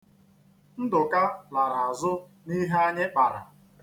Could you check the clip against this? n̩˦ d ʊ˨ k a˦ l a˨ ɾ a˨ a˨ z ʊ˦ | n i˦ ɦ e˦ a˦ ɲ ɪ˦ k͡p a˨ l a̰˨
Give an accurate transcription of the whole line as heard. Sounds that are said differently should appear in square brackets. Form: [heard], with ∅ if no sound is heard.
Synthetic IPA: n̩˦ d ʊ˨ k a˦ l a˨ ɾ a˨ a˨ z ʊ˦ | n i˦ ɦ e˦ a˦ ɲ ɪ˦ k͡p a˨ [ɾ] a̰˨